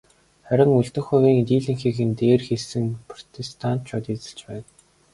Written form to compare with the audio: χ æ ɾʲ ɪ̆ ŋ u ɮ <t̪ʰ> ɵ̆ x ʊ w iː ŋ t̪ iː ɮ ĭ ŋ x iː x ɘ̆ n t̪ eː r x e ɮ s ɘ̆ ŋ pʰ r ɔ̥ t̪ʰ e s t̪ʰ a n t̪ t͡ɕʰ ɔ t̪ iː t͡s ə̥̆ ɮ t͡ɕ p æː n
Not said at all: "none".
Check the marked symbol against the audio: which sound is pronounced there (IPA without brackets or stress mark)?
t̪